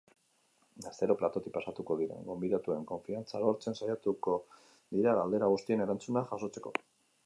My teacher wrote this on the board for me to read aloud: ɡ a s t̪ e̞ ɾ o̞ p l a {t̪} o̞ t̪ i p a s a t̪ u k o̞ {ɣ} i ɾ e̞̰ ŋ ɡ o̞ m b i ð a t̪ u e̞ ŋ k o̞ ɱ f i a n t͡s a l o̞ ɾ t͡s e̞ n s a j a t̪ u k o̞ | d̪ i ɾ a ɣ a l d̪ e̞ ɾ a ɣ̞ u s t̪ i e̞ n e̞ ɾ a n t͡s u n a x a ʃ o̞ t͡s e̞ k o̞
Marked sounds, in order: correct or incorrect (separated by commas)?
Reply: correct, incorrect